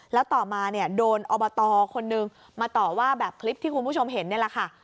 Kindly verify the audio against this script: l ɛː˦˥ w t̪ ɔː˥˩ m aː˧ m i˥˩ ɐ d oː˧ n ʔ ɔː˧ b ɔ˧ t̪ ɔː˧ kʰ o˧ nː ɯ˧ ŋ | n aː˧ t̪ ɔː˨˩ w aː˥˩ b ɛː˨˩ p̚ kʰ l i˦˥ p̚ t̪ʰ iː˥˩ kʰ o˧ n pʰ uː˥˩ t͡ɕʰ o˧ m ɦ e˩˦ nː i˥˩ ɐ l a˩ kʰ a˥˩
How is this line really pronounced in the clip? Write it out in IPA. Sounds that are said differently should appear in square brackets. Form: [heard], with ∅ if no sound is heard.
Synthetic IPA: l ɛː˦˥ w t̪ [ɔː˨˩] m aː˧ [n] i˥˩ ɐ d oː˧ n ʔ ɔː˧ b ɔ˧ t̪ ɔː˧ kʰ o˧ nː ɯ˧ ŋ | [m] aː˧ t̪ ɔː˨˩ w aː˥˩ b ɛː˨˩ p̚ kʰ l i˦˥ p̚ t̪ʰ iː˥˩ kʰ [u˧] n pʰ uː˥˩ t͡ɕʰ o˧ m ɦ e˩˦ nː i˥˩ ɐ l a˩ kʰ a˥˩